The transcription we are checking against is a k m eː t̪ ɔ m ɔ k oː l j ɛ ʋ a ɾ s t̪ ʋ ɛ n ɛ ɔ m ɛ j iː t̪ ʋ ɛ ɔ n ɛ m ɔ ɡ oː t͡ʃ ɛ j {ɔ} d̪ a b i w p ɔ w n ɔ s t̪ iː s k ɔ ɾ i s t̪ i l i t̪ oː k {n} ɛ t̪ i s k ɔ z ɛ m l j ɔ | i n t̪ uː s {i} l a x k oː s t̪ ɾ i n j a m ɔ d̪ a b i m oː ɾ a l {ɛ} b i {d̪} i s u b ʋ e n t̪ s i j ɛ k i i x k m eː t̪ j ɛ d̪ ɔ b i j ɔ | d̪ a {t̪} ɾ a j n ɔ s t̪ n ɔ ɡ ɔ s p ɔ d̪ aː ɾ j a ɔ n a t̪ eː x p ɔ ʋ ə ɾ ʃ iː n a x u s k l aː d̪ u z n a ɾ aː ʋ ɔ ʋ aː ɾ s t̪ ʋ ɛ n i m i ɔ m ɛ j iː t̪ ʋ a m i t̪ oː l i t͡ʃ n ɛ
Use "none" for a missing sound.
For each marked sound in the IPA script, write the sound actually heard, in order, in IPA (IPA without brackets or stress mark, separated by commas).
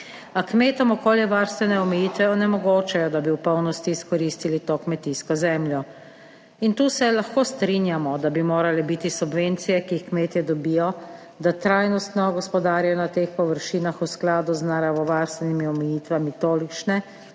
ɔ, m, ɛ, ɛ, t̪, t̪